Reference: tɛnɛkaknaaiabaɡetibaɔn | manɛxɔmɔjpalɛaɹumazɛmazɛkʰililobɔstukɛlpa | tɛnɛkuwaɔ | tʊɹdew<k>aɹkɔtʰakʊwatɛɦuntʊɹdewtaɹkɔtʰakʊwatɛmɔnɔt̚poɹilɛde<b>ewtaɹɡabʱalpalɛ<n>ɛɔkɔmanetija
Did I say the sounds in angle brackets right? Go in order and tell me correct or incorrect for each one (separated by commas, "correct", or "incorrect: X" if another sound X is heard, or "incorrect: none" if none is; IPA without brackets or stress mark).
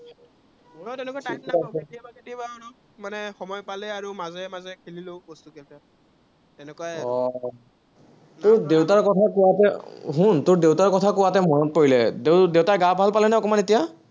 incorrect: t, incorrect: d, correct